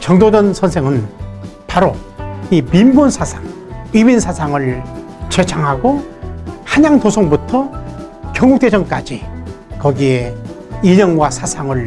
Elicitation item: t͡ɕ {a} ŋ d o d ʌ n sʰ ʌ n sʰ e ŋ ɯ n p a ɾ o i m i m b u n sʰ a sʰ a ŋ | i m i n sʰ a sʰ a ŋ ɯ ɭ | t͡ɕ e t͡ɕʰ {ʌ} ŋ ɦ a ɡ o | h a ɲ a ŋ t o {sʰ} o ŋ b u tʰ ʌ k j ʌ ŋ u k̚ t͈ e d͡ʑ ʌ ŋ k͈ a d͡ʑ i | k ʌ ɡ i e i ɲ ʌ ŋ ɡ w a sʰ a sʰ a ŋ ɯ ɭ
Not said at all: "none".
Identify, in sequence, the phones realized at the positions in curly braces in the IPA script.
ʌ, a, sʰ

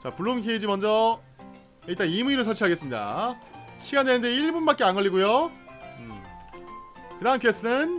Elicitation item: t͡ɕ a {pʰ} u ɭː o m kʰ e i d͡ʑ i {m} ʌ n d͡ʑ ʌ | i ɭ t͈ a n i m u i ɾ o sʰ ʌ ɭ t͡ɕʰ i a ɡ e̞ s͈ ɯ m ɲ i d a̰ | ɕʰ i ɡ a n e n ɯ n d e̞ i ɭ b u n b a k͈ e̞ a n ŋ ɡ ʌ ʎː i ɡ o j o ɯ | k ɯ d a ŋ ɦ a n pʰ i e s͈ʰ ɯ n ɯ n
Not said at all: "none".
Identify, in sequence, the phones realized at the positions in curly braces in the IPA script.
p, m

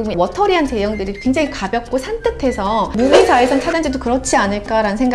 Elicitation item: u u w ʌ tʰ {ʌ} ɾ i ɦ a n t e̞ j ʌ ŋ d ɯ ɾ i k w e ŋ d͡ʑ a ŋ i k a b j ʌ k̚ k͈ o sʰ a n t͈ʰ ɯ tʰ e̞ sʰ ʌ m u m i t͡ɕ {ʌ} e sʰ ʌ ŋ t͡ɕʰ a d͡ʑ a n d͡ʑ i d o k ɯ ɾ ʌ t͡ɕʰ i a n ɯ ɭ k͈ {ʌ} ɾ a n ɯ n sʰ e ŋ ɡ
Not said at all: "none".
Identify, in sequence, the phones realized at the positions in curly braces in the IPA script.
ʌ, a, a

